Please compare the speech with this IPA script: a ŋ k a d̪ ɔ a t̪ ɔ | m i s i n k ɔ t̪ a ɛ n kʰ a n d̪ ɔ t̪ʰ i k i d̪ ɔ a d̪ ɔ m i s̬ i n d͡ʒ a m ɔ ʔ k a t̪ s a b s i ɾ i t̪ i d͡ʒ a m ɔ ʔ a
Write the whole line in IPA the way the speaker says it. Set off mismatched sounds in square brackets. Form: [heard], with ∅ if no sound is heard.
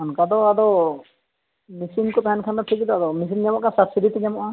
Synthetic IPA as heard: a [n] k a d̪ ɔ a [d̪] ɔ | m i s i n k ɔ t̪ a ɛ n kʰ a n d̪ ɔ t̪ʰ i k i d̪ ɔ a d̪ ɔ m i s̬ i n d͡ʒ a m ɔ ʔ k a [∅] s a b s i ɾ i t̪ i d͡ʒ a m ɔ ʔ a